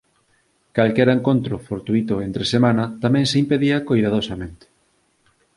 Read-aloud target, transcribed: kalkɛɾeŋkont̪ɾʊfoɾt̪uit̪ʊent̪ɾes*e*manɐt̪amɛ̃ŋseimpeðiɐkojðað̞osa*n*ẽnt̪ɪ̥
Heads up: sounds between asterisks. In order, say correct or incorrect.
correct, incorrect

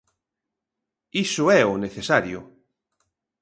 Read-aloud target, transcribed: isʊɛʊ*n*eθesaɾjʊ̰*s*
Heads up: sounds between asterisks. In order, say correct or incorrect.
correct, incorrect

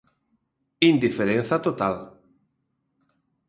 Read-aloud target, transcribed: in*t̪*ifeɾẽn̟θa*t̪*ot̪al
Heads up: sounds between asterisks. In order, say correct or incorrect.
incorrect, correct

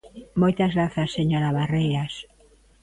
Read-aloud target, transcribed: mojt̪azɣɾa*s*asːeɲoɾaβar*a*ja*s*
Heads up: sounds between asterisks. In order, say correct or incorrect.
incorrect, incorrect, correct

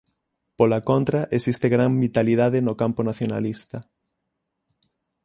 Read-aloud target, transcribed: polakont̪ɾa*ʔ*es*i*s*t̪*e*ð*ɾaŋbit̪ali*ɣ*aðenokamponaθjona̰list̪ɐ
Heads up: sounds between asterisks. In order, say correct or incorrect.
correct, correct, correct, incorrect, incorrect

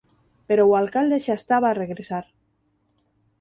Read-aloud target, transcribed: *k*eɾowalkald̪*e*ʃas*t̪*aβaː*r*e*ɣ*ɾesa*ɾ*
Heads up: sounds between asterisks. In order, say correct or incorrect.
incorrect, correct, correct, correct, correct, correct

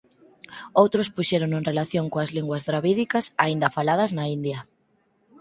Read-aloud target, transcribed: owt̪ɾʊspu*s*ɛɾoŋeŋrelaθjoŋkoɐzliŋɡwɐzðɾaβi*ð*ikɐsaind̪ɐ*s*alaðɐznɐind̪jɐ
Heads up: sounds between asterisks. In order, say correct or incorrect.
incorrect, correct, incorrect

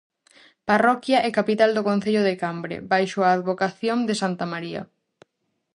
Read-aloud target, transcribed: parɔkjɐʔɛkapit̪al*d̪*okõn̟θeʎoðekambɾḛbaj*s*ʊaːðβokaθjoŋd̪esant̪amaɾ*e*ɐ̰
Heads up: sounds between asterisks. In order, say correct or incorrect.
correct, incorrect, incorrect

